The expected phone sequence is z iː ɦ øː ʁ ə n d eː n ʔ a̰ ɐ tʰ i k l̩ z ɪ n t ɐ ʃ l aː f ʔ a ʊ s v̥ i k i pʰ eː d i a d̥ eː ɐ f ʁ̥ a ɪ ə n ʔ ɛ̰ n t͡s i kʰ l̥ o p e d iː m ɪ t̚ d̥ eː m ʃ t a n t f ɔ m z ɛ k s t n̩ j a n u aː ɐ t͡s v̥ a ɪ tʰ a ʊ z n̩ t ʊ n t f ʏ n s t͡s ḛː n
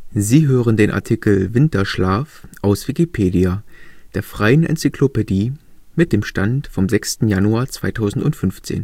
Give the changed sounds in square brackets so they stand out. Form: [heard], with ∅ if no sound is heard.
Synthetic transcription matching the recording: z iː ɦ øː ʁ ə n d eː n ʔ a̰ ɐ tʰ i k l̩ [v] ɪ n t ɐ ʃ l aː f ʔ a ʊ s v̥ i k i pʰ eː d i a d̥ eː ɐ f ʁ̥ a ɪ ə n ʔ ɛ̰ n t͡s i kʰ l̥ o p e d iː m ɪ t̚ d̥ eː m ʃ t a n t f ɔ m z ɛ k s t n̩ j a n u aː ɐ t͡s v̥ a ɪ tʰ a ʊ z n̩ t ʊ n t f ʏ n [f] t͡s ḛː n